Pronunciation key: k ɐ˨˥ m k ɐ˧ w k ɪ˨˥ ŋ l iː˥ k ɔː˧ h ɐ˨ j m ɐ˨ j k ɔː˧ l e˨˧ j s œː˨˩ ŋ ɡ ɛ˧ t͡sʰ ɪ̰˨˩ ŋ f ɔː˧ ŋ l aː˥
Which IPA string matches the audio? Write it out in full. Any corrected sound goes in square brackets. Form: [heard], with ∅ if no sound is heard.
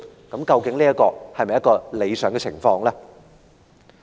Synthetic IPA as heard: k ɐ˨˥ m k ɐ˧ w k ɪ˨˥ ŋ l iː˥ k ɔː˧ h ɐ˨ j m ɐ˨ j k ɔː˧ l e˨˧ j s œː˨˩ ŋ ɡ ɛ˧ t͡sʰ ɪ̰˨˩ ŋ f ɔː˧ ŋ l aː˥